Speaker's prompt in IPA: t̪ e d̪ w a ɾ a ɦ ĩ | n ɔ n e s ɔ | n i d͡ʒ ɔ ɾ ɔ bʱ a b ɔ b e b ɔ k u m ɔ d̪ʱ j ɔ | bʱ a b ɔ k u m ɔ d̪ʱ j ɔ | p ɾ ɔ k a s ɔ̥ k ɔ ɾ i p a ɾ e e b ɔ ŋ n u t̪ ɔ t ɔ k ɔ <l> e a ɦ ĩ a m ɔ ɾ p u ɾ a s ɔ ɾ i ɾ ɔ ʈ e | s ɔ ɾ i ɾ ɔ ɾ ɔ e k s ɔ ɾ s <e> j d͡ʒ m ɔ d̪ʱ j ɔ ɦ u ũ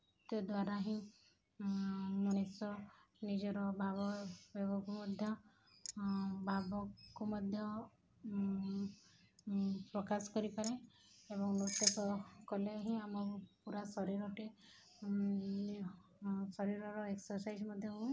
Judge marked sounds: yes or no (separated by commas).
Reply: yes, no